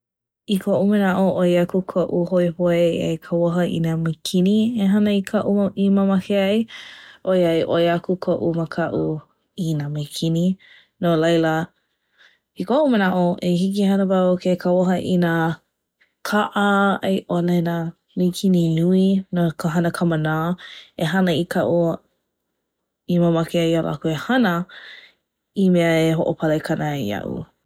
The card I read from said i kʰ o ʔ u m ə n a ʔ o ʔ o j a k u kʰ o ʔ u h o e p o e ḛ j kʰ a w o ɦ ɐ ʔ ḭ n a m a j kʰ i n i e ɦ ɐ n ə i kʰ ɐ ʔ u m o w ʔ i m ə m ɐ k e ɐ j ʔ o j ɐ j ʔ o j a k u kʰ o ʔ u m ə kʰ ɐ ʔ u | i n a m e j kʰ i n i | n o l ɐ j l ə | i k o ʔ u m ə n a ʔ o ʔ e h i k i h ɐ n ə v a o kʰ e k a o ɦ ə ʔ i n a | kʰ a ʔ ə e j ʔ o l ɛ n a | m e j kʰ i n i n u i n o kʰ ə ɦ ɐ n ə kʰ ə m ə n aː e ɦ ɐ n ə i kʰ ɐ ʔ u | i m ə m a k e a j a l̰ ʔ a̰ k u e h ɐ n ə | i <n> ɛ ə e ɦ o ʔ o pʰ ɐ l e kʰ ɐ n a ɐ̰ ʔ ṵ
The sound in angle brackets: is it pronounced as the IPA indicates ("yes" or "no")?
no